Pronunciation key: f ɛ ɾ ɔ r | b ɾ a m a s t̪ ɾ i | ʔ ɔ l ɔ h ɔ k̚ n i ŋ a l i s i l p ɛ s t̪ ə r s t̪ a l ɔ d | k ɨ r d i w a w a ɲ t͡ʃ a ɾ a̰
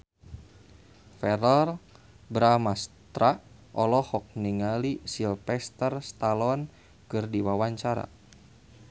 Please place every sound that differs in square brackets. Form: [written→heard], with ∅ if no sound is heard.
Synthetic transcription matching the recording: f ɛ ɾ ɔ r | b ɾ a m a s t̪ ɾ [i→a] | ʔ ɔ l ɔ h ɔ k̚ n i ŋ a l i s i l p ɛ s t̪ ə r s t̪ a l ɔ [d→n] | k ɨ r d i w a w a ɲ t͡ʃ a ɾ a̰